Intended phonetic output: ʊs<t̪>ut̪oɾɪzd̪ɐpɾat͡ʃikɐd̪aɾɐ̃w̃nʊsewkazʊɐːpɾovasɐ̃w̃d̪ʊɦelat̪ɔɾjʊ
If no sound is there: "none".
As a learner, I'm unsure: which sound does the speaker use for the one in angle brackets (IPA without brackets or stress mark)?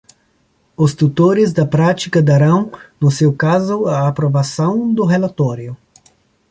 t̪